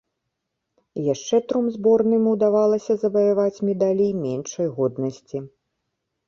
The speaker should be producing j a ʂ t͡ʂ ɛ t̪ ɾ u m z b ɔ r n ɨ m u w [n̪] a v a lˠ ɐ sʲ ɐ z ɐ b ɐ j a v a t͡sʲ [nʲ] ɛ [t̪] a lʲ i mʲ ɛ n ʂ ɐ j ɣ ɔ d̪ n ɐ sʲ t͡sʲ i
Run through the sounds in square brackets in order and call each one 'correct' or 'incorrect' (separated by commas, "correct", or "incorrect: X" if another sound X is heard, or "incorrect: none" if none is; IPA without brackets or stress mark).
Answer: incorrect: d̪, incorrect: mʲ, incorrect: d̪